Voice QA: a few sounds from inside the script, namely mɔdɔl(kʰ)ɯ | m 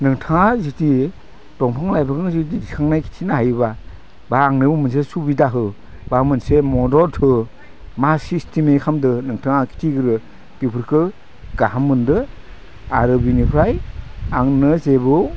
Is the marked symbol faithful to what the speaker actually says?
no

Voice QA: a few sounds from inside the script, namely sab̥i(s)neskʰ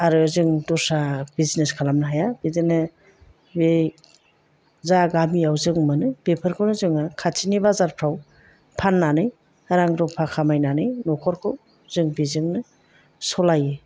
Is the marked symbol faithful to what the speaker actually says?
no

